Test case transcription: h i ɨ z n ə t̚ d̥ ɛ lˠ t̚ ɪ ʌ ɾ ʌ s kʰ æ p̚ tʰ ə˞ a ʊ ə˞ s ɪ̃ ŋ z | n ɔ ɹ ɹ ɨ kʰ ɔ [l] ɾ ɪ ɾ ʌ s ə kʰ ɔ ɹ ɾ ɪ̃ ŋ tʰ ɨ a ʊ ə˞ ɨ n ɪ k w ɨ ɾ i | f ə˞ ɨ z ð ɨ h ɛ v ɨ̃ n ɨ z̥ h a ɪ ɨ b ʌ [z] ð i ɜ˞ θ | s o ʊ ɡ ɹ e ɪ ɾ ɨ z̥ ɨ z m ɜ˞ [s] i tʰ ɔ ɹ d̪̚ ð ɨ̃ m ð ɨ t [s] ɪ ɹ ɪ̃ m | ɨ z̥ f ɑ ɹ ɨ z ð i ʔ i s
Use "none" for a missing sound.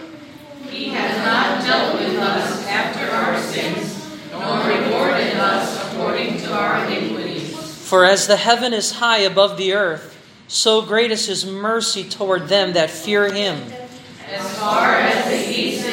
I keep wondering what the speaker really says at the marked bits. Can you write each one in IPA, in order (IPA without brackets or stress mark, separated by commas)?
ɹ, v, s, f